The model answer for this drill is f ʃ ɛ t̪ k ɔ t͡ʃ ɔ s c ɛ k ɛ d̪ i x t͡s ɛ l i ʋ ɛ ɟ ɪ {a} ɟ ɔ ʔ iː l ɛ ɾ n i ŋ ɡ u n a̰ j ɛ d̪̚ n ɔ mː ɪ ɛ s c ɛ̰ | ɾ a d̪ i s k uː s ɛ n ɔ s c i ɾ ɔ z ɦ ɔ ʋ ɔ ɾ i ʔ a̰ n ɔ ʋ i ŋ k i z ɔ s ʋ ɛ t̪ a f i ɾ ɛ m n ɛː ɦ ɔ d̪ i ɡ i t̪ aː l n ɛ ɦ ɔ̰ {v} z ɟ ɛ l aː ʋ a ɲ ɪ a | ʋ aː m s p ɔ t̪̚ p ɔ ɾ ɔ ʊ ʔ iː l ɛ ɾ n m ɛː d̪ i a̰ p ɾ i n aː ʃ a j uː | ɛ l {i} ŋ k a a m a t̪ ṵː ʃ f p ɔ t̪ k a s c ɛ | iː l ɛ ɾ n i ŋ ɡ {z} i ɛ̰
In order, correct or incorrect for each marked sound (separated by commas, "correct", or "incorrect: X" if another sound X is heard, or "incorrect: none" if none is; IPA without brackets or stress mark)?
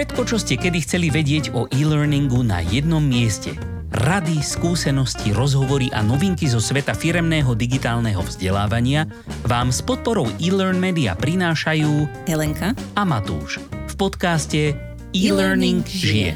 incorrect: ɛ, correct, incorrect: ɛ, incorrect: ʒ